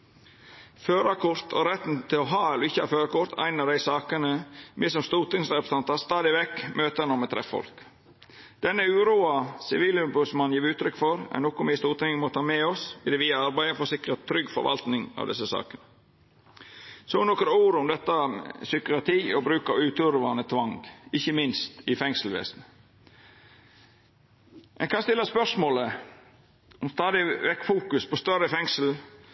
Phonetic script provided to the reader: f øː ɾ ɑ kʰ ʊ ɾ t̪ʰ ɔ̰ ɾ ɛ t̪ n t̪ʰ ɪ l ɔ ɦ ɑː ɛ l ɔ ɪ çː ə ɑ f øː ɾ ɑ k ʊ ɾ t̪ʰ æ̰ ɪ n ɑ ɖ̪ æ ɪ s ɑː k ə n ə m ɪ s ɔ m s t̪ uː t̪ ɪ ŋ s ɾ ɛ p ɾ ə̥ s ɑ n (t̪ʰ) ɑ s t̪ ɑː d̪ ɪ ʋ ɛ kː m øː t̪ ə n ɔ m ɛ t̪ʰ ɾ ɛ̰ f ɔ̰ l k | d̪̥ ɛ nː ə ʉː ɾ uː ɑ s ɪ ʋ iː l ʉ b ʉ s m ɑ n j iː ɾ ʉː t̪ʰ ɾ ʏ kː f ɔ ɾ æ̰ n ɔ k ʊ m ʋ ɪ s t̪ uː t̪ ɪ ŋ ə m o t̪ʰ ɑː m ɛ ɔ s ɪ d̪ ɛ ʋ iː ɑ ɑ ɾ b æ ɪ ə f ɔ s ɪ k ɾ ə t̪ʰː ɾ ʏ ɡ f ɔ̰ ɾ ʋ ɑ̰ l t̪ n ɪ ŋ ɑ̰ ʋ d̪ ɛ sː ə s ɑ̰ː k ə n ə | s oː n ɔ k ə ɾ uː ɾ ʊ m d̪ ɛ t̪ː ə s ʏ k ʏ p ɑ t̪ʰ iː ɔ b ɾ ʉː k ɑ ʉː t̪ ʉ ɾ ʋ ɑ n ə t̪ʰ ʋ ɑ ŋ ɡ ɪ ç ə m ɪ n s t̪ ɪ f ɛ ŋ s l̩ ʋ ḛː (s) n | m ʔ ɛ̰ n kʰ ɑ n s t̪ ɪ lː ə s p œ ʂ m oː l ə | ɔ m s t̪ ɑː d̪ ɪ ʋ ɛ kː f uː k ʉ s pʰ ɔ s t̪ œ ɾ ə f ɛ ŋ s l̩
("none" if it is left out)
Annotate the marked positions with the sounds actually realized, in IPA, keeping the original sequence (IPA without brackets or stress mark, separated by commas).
t̪, s